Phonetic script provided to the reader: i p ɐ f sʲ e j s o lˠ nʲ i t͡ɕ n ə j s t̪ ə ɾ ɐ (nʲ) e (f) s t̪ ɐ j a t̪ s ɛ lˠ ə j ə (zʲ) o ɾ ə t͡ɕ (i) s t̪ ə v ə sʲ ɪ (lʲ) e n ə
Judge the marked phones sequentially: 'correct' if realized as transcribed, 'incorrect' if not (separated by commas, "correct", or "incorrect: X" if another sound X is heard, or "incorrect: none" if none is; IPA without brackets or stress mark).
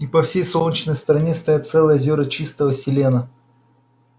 correct, incorrect: none, correct, correct, correct